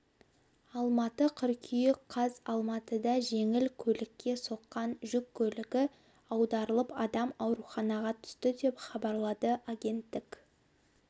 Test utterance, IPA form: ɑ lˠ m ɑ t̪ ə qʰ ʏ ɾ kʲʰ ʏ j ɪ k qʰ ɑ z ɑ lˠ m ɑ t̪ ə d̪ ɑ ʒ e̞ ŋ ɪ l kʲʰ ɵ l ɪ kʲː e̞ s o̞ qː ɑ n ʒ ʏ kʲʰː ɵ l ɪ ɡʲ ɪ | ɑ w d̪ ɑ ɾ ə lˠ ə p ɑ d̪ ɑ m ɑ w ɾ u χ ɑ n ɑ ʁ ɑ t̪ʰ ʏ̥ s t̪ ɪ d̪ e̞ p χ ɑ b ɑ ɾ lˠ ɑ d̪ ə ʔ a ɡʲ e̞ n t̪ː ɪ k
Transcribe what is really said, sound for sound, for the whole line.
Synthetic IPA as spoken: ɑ lˠ m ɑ t̪ ə qʰ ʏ ɾ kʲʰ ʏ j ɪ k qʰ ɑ z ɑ lˠ m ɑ t̪ ə d̪ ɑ ʒ e̞ ŋ ɪ l kʲʰ ɵ l ɪ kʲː e̞ s o̞ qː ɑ n ʒ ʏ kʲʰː ɵ l ɪ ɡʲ ɪ | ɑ w d̪ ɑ ɾ ə lˠ ə p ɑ d̪ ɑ m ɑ w ɾ u χ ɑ n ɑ ʁ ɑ t̪ʰ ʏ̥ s t̪ ɪ d̪ e̞ p χ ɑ b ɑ ɾ lˠ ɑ d̪ ə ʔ a ɡʲ e̞ n t̪ː ɪ k